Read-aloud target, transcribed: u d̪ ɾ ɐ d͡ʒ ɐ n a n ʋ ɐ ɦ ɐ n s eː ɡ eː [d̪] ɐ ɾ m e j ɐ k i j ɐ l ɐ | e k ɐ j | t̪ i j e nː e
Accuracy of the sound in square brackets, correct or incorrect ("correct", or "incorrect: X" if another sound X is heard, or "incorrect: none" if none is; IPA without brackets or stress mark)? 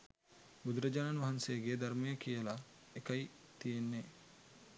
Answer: correct